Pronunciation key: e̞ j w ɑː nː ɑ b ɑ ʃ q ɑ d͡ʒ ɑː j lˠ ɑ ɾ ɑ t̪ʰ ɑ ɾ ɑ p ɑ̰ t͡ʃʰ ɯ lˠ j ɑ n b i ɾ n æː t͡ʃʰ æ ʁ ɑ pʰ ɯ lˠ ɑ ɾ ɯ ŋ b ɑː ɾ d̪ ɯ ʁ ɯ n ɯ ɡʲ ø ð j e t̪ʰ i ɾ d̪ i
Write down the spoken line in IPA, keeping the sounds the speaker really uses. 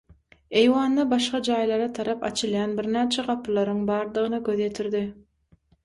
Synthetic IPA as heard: e̞ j w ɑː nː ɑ b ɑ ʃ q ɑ d͡ʒ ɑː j lˠ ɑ ɾ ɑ t̪ʰ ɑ ɾ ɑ p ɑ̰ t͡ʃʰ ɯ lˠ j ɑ n b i ɾ n æː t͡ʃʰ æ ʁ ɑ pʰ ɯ lˠ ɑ ɾ ɯ ŋ b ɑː ɾ d̪ ɯ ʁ ɯ n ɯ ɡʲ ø ð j e t̪ʰ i ɾ d̪ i